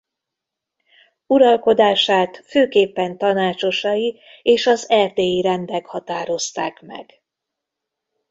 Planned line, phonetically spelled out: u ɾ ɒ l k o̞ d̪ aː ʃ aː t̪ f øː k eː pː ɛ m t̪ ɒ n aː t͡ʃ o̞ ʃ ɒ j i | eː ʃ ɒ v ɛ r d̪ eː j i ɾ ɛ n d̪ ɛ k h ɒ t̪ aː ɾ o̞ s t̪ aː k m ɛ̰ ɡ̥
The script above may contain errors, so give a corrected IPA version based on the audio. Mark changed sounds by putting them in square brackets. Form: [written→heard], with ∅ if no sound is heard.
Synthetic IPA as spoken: u ɾ ɒ l k o̞ d̪ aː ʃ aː t̪ f øː k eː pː ɛ [m→n] t̪ ɒ n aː t͡ʃ o̞ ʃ ɒ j i | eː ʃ ɒ [v→z] ɛ r d̪ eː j i ɾ ɛ n d̪ ɛ k h ɒ t̪ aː ɾ o̞ s t̪ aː k m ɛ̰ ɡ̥